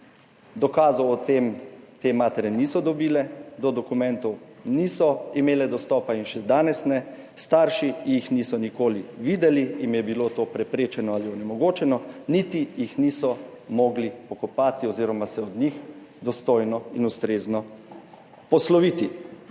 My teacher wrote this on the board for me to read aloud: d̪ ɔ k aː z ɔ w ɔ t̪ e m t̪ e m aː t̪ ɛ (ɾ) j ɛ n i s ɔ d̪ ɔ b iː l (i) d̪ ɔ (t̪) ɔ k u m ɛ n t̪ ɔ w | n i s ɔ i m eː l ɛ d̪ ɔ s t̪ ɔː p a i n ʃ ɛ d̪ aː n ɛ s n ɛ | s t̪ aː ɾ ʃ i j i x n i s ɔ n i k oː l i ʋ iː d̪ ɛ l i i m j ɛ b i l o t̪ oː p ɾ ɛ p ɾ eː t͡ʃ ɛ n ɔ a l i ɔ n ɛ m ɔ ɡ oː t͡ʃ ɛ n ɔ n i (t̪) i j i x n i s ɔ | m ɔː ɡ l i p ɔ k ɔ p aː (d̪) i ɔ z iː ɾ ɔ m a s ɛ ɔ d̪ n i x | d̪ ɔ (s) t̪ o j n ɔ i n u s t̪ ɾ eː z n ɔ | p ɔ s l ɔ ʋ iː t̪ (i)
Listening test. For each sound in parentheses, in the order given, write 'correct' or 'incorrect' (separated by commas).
correct, incorrect, incorrect, correct, incorrect, correct, correct